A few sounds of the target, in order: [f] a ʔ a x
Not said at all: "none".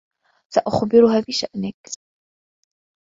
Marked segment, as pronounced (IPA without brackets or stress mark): s